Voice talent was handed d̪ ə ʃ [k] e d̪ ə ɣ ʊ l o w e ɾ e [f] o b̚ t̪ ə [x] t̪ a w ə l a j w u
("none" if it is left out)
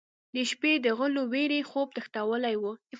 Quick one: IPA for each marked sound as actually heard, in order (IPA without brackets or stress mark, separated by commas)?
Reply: p, x, x